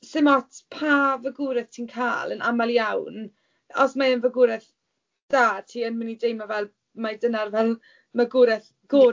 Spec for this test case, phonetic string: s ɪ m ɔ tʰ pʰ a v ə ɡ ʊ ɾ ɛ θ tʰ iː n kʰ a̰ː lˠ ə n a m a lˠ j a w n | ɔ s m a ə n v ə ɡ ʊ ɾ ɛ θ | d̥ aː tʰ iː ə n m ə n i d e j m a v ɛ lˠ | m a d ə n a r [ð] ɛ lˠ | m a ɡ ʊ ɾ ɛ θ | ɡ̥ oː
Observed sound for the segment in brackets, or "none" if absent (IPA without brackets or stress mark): v